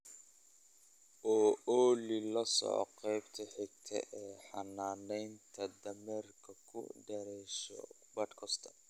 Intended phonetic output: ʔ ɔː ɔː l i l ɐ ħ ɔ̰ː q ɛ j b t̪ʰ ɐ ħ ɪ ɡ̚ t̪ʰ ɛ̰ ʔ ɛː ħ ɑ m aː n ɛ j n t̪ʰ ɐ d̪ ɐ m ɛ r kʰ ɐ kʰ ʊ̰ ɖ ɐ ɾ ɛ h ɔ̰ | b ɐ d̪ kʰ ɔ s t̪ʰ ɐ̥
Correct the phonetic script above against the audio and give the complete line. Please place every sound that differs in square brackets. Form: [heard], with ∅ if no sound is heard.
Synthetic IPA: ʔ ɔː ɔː l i l ɐ [s] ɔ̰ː q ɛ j b t̪ʰ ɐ ħ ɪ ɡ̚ t̪ʰ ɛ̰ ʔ ɛː ħ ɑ [n] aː n ɛ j n t̪ʰ ɐ d̪ ɐ m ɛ r kʰ ɐ kʰ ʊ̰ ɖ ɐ ɾ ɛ [ʃ] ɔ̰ | b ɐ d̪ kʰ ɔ s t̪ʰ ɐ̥